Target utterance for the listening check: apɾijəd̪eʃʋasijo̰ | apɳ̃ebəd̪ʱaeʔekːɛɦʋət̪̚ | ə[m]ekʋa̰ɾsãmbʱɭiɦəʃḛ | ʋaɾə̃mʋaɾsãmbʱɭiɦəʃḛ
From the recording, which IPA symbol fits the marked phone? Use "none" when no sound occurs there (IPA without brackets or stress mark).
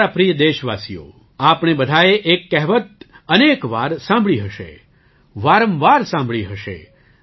n